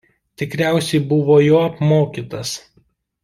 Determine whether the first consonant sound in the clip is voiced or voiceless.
voiceless